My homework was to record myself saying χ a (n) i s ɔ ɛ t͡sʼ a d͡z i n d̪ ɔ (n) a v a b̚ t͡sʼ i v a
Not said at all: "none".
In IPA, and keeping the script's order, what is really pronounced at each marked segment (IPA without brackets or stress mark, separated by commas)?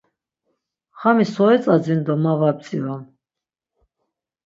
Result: m, m